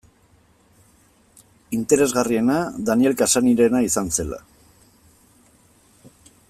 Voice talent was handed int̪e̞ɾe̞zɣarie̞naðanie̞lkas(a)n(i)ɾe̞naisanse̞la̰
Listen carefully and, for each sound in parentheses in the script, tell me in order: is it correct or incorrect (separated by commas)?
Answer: correct, correct